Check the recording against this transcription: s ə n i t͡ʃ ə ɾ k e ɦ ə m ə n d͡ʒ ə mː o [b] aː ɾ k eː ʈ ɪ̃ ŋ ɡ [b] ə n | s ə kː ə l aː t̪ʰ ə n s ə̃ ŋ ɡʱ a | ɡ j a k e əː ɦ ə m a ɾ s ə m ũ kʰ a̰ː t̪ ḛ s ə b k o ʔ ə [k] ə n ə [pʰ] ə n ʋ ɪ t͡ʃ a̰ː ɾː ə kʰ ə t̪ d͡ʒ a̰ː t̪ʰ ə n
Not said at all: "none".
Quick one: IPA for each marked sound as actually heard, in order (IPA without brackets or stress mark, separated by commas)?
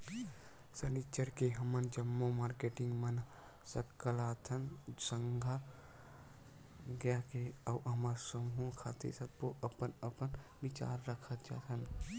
m, m, p, p